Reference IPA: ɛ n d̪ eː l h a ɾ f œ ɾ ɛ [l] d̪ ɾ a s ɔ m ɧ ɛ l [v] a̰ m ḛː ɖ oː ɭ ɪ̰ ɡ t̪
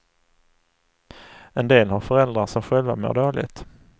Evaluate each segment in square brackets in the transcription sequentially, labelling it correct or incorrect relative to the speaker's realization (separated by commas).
correct, correct